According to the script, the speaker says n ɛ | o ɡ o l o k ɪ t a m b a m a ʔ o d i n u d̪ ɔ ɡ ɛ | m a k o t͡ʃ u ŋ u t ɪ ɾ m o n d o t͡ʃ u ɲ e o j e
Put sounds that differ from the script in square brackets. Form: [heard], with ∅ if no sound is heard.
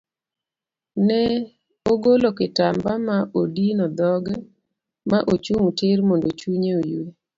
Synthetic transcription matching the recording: n ɛ | o ɡ o l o k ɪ t a m b a m a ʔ o d i n [ɔ] d̪ ɔ ɡ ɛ | m a [ʔ] o t͡ʃ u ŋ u t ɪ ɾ m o n d o t͡ʃ u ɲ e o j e